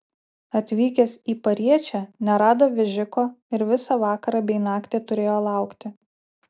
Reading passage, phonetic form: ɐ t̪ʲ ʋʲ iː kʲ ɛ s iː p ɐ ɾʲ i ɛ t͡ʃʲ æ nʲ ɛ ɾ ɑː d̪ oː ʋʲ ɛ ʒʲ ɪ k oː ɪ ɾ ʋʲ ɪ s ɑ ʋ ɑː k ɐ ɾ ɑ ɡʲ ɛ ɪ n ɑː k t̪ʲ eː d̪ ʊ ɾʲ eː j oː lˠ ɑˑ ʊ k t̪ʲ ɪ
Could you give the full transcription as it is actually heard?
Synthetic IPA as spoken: ɐ t̪ʲ ʋʲ iː kʲ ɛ s iː p ɐ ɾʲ i ɛ t͡ʃʲ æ nʲ ɛ ɾ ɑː d̪ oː ʋʲ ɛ ʒʲ ɪ k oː ɪ ɾ ʋʲ ɪ s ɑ ʋ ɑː k ɐ ɾ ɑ bʲ ɛ ɪ n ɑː k t̪ʲ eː t̪ ʊ ɾʲ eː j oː lˠ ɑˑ ʊ k t̪ʲ ɪ